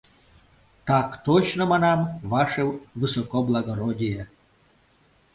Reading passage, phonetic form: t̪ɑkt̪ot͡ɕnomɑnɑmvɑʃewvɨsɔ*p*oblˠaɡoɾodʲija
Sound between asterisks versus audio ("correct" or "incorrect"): incorrect